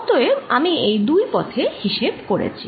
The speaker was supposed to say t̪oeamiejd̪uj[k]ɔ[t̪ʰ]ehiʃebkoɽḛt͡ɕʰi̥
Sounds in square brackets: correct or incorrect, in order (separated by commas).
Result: incorrect, correct